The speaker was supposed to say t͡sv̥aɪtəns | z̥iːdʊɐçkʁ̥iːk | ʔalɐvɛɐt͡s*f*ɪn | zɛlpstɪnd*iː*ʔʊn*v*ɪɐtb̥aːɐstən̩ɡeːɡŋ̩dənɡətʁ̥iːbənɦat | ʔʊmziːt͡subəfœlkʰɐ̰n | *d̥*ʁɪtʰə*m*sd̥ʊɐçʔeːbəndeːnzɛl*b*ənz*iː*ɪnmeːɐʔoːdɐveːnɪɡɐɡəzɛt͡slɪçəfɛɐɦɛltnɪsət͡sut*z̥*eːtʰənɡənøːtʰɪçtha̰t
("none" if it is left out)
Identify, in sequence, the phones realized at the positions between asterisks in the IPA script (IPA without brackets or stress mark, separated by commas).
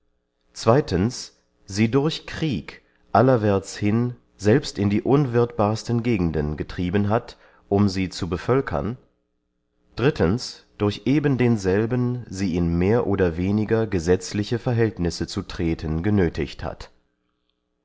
h, iː, v, d̥, n, b, iː, ʁ̥